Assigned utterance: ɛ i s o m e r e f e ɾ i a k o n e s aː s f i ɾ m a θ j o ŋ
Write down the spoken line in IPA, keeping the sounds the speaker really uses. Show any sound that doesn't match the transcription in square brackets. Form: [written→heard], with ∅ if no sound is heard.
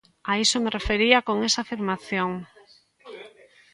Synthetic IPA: [ɛ→a] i s o m e r e f e ɾ i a k o [n→ŋ] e s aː [s→∅] f i ɾ m a θ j o ŋ